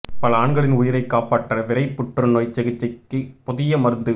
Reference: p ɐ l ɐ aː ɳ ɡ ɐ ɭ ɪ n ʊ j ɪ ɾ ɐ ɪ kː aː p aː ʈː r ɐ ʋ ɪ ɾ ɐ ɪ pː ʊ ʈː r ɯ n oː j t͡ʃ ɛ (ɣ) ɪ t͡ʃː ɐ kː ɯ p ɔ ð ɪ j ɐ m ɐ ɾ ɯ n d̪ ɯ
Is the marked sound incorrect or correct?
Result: correct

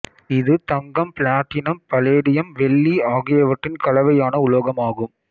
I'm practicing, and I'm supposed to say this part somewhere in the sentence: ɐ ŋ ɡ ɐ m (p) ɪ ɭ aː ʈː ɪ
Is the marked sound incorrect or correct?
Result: correct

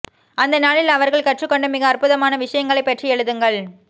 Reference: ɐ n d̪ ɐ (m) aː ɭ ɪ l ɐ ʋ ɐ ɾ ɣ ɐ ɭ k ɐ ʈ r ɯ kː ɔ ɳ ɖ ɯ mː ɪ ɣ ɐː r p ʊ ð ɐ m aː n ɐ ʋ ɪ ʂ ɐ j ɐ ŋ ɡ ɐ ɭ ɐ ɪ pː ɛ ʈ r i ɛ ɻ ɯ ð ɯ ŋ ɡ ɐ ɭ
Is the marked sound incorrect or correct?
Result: incorrect: n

